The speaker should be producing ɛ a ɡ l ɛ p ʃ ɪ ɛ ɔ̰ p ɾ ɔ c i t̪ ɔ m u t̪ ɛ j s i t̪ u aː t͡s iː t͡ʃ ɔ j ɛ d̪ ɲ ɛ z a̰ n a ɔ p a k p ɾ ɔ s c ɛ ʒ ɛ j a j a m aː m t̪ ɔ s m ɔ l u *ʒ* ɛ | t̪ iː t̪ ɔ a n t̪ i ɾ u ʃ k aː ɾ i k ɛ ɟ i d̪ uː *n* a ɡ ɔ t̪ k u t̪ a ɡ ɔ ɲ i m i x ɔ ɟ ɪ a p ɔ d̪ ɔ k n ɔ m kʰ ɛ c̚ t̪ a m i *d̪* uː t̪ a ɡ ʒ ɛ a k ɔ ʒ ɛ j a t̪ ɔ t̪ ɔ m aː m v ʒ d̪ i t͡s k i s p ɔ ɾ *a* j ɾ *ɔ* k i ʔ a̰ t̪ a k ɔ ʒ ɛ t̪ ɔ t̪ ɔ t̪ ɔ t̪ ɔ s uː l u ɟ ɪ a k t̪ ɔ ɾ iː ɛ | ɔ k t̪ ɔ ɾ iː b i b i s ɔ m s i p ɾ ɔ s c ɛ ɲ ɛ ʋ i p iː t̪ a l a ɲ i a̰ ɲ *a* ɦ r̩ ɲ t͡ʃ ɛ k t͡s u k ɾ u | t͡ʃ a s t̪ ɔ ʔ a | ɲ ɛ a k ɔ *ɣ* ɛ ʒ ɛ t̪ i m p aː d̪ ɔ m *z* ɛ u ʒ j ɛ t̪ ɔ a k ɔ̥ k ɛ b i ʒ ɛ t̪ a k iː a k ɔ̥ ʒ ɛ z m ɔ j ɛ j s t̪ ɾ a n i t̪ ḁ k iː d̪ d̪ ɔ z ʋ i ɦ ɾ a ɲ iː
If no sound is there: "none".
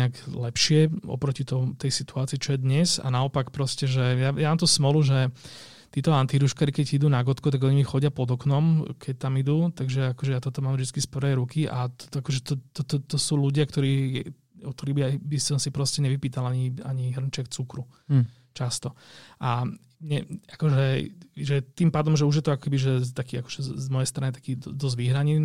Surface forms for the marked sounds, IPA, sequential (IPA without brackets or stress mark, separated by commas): ʒ, n, d̪, ɛ, u, i, ʒ, ʒ